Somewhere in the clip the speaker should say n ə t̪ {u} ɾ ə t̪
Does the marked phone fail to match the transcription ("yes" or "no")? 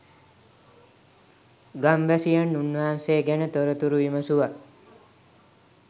yes